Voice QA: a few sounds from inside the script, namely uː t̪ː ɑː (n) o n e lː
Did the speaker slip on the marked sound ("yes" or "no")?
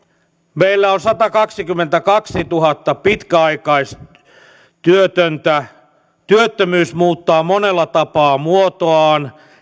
yes